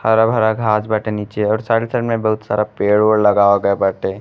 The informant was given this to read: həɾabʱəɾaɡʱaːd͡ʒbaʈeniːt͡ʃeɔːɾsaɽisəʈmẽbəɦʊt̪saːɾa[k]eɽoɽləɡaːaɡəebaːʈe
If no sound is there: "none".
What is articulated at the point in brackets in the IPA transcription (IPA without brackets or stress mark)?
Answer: p